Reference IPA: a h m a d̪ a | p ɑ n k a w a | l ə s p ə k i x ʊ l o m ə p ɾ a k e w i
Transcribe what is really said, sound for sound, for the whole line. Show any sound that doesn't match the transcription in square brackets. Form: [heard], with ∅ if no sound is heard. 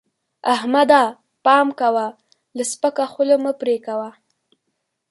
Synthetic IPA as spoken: a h m a d̪ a | p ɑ [m] k a w a | l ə s p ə k [a] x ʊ l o m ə p ɾ [e] k [a] w [a]